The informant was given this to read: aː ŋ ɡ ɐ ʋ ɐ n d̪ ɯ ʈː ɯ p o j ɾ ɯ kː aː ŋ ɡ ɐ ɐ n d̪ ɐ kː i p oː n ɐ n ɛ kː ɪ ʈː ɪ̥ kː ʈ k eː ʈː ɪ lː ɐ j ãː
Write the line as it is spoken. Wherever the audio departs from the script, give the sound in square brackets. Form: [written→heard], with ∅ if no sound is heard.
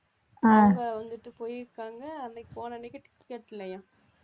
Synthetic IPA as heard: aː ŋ ɡ ɐ ʋ ɐ n d̪ ɯ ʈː ɯ p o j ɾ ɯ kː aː ŋ ɡ ɐ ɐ n d̪ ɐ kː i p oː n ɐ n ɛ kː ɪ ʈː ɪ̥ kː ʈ k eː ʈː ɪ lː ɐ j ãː